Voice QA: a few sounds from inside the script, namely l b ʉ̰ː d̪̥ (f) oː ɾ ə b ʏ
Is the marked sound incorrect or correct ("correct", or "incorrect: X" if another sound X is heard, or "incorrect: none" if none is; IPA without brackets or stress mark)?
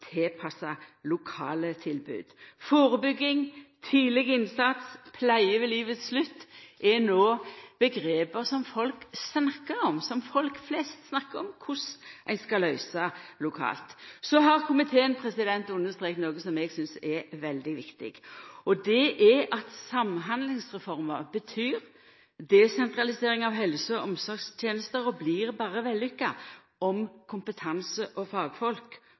correct